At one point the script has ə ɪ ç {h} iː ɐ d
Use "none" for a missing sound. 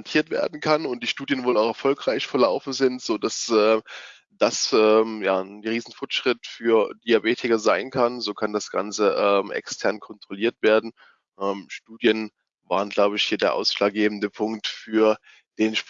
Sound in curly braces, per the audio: h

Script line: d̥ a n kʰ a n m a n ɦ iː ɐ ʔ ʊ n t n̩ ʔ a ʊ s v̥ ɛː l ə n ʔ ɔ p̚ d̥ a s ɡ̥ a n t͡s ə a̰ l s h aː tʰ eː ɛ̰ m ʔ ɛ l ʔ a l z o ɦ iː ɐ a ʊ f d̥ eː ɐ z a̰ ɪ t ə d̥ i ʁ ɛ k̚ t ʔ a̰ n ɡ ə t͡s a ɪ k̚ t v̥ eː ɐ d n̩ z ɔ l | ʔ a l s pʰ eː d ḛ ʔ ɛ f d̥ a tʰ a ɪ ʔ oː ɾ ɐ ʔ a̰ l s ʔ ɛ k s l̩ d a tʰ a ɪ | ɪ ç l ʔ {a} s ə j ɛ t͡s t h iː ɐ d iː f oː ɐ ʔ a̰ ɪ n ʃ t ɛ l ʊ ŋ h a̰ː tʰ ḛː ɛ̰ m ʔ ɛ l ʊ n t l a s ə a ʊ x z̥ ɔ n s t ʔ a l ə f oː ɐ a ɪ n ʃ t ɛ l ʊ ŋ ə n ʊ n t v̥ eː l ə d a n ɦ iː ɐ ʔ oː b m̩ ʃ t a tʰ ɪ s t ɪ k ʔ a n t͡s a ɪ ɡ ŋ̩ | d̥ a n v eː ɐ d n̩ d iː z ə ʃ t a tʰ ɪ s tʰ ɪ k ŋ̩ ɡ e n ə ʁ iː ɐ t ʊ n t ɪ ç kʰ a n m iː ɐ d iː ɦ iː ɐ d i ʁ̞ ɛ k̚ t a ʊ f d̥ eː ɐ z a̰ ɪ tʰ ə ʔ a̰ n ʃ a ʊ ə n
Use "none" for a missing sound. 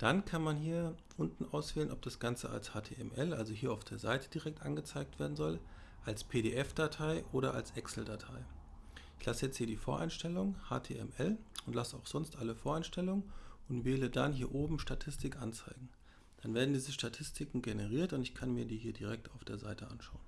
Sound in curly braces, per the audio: a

